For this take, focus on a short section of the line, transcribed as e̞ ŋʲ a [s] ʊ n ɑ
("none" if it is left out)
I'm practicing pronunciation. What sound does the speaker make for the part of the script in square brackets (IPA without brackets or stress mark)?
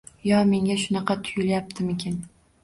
ʃ